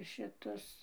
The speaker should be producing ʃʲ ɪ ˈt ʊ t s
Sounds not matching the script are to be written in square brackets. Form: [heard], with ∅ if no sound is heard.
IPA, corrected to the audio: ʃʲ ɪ ˈt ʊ [∅] s

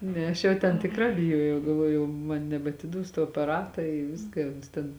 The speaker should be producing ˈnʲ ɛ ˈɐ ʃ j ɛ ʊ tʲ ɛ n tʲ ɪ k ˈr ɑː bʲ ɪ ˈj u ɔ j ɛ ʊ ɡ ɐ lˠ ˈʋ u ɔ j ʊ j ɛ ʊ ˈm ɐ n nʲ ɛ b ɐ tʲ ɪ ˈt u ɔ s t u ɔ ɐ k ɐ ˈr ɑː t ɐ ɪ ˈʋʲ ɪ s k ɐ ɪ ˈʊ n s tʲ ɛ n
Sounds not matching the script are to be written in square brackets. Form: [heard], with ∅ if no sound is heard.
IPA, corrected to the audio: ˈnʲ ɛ ˈɐ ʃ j ɛ ʊ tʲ ɛ n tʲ ɪ k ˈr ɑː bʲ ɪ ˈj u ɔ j ɛ ʊ ɡ ɐ lˠ ˈʋ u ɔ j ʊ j ɛ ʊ ˈm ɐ n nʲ ɛ b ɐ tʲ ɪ [ˈd] u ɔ s t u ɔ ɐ [p] ɐ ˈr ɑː t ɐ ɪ ˈʋʲ ɪ s k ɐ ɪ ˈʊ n s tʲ ɛ n

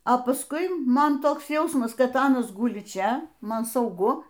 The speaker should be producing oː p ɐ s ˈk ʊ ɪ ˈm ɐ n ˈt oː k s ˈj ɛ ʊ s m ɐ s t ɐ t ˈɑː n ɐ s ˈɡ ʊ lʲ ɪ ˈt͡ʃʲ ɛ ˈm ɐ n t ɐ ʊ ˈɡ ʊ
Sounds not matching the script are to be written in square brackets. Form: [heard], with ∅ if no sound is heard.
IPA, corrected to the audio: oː p ɐ s ˈk ʊ ɪ ˈm ɐ n ˈt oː k s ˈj ɛ ʊ s m ɐ s [k] ɐ t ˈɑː n ɐ s ˈɡ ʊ lʲ ɪ ˈt͡ʃʲ ɛ ˈm ɐ n [s] ɐ ʊ ˈɡ ʊ

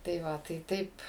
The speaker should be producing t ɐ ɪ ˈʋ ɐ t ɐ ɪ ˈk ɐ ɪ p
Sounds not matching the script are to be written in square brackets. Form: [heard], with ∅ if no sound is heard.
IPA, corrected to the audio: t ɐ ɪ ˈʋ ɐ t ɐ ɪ [ˈt] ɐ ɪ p

